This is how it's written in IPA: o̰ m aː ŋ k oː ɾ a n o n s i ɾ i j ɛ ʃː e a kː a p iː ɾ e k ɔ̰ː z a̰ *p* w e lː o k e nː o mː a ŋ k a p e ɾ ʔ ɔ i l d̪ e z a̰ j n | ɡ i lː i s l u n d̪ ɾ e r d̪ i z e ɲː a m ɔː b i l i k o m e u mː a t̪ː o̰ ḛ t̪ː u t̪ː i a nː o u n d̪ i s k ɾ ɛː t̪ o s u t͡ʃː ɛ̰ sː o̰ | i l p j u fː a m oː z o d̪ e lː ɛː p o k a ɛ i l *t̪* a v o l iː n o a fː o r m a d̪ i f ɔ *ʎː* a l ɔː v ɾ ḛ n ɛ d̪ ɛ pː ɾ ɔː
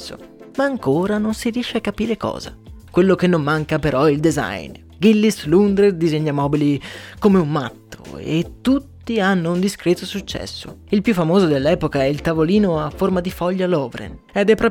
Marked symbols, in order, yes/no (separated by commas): no, yes, yes